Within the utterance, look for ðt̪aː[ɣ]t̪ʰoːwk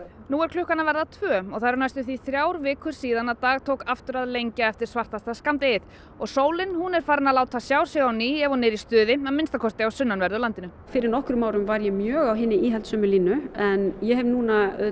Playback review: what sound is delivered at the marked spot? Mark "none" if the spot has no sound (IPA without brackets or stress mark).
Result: ɣ